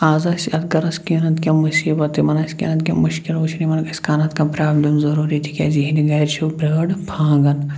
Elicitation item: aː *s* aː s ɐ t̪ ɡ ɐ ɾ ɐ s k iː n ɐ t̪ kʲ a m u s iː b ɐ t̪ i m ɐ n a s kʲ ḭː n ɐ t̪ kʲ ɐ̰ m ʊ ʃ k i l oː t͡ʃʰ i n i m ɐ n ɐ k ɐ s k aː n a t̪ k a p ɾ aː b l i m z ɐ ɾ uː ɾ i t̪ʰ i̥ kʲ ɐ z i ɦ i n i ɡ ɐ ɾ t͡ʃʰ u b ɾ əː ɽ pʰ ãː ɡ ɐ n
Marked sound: incorrect: z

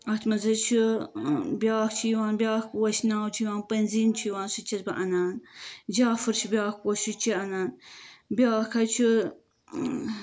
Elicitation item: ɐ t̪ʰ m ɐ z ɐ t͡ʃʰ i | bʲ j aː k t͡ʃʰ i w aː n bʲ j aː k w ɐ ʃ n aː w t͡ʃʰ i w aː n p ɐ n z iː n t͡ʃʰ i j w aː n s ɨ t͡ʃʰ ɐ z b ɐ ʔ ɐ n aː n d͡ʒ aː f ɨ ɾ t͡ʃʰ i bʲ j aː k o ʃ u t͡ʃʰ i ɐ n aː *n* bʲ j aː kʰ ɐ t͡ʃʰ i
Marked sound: correct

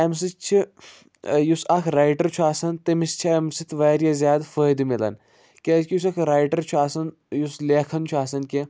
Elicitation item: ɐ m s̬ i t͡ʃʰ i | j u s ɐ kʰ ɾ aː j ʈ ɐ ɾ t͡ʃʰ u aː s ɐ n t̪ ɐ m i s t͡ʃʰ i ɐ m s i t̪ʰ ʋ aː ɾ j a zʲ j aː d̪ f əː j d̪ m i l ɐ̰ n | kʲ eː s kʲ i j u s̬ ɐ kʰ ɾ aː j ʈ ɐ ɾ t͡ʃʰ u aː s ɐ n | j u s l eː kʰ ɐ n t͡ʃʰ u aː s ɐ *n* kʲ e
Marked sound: correct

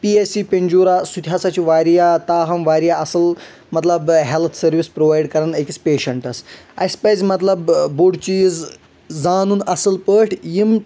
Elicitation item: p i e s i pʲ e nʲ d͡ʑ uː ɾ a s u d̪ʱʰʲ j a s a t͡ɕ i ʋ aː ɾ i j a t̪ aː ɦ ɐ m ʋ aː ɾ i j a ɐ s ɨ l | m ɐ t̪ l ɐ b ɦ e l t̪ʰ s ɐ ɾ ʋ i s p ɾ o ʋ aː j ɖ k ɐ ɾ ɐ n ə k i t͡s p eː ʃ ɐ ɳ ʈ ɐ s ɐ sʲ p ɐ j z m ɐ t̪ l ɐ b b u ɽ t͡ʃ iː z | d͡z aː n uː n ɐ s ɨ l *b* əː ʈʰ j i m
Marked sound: incorrect: p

